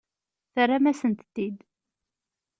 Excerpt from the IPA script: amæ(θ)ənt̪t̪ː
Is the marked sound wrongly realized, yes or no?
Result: yes